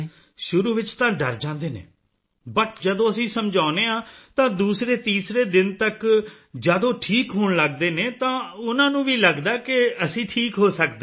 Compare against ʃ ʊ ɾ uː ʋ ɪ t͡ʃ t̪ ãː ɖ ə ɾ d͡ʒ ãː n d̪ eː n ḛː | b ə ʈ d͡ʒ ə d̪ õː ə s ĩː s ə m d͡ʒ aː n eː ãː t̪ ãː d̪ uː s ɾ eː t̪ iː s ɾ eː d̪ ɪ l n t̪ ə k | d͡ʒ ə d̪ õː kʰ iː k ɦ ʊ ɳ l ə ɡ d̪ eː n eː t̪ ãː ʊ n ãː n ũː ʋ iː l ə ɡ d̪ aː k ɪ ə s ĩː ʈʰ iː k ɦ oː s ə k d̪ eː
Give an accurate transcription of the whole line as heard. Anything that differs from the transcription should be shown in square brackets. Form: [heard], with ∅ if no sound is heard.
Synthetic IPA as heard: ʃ ʊ ɾ uː ʋ ɪ t͡ʃ t̪ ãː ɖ ə ɾ d͡ʒ ãː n d̪ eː n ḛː | b ə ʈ d͡ʒ ə d̪ õː ə s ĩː s ə m d͡ʒ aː n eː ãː t̪ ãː d̪ uː s ɾ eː t̪ iː s ɾ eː d̪ ɪ [∅] n t̪ ə k | d͡ʒ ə d̪ õː [ʈʰ] iː k ɦ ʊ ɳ l ə ɡ d̪ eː n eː t̪ ãː ʊ n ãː n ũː ʋ iː l ə ɡ d̪ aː k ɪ ə s ĩː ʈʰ iː k ɦ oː s ə k d̪ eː

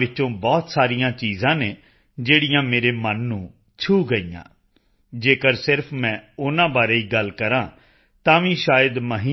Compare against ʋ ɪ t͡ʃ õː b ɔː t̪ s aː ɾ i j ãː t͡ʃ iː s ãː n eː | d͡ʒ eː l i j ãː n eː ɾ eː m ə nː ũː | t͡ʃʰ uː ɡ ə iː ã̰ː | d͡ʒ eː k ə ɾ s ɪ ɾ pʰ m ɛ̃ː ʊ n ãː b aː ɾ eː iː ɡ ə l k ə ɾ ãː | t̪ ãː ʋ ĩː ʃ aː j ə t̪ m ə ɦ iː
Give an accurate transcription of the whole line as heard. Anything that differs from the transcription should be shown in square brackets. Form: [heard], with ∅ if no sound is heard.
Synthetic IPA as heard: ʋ ɪ t͡ʃ õː b ɔː t̪ s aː ɾ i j ãː t͡ʃ iː [z] ãː n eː | d͡ʒ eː [ɽ] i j ãː [m] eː ɾ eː m ə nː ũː | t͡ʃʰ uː ɡ ə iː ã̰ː | d͡ʒ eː k ə ɾ s ɪ ɾ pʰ m ɛ̃ː ʊ n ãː b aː ɾ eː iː ɡ ə l k ə ɾ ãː | t̪ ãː ʋ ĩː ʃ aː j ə [d̪] m ə ɦ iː

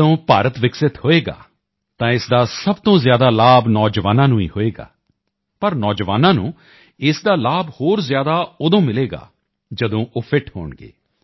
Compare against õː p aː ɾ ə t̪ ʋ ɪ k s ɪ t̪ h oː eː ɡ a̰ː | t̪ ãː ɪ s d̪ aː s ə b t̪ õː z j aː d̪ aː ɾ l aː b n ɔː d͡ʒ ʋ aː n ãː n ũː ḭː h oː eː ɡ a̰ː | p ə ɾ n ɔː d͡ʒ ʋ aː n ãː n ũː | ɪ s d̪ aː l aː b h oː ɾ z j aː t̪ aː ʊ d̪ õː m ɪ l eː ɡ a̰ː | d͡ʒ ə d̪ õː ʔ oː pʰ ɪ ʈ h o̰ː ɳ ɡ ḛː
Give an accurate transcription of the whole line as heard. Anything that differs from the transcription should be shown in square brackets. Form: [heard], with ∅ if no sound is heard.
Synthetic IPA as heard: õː p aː ɾ ə t̪ ʋ ɪ k s ɪ t̪ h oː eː ɡ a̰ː | t̪ ãː ɪ s d̪ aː s ə b t̪ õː z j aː d̪ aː [∅] l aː b n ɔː d͡ʒ ʋ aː n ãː n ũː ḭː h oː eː ɡ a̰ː | p ə ɾ n ɔː d͡ʒ ʋ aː n ãː n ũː | ɪ s d̪ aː l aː b h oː ɾ z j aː [d̪] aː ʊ d̪ õː m ɪ l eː ɡ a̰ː | d͡ʒ ə d̪ õː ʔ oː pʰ ɪ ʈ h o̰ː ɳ ɡ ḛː

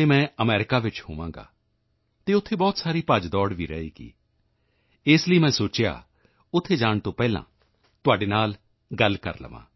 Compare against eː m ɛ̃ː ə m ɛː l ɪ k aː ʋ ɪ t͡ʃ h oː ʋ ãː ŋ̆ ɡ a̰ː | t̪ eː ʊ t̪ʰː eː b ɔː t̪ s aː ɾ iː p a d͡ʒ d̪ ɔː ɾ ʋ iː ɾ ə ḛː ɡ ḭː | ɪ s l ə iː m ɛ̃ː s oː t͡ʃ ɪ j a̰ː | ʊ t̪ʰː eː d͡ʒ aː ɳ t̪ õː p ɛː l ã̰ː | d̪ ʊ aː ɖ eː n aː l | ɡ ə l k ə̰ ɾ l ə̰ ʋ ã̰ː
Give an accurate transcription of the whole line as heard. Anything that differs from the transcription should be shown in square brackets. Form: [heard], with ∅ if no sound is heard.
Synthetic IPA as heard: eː m ɛ̃ː ə m ɛː [ɾ] ɪ k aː ʋ ɪ t͡ʃ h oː ʋ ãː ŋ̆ ɡ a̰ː | t̪ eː ʊ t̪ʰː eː b ɔː t̪ s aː ɾ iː p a d͡ʒ d̪ ɔː [ɽ] ʋ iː ɾ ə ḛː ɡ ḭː | ɪ s l ə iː m ɛ̃ː s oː t͡ʃ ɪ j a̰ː | ʊ t̪ʰː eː d͡ʒ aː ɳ t̪ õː p ɛː l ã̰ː | [t̪] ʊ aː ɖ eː n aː l | ɡ ə l k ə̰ ɾ l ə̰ ʋ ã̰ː

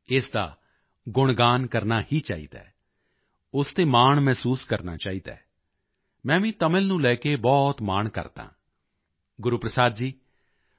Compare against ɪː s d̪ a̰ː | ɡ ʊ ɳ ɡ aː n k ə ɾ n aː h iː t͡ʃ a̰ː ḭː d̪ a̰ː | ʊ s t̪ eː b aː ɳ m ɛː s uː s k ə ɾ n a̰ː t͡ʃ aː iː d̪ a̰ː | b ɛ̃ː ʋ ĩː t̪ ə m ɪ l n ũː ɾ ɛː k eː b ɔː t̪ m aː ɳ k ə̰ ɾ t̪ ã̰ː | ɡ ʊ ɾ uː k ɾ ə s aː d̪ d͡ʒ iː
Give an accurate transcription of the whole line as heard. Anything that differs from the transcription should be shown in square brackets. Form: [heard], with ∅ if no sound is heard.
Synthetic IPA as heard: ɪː s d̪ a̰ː | ɡ ʊ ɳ ɡ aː n k ə ɾ n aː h iː t͡ʃ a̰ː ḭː d̪ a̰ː | ʊ s t̪ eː [m] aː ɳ m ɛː s uː s k ə ɾ n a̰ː t͡ʃ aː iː d̪ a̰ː | [m] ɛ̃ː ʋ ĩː t̪ ə m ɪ l n ũː [l] ɛː k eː b ɔː t̪ m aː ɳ k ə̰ ɾ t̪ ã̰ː | ɡ ʊ ɾ uː [p] ɾ ə s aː d̪ d͡ʒ iː

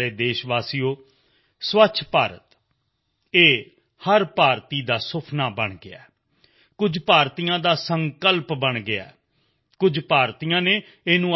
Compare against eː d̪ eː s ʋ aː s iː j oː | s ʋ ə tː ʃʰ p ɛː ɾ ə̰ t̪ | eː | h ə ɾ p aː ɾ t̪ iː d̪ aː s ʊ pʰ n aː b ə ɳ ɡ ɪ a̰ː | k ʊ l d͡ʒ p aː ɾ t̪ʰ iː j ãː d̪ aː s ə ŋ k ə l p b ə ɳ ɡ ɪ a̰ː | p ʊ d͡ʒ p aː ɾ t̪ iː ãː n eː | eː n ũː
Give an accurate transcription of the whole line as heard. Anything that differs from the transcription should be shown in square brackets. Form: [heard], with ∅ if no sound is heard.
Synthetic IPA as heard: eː d̪ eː [ʃ] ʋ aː s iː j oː | s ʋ ə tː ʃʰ p [aː] ɾ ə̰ t̪ | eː | h ə ɾ p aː ɾ t̪ iː d̪ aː s ʊ pʰ n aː b ə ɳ ɡ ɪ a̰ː | k ʊ [∅] d͡ʒ p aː ɾ [t̪] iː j ãː d̪ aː s ə ŋ k ə l p b ə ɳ ɡ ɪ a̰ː | [k] ʊ d͡ʒ p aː ɾ t̪ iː ãː n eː | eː n ũː

